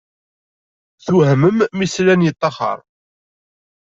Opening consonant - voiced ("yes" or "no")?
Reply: no